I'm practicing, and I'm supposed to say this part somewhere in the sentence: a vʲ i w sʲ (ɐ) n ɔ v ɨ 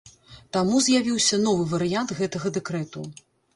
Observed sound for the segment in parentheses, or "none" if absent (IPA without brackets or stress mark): ɐ